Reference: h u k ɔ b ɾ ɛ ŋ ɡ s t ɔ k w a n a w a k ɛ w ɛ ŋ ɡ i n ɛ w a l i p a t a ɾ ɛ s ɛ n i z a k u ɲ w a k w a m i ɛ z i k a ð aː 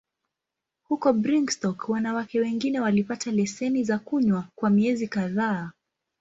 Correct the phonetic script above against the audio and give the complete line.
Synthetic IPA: h u k ɔ b ɾ i ŋ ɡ s t ɔ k w a n a w a k ɛ w ɛ ŋ ɡ i n ɛ w a l i p a t a l ɛ s ɛ n i z a k u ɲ w a k w a m i ɛ z i k a ð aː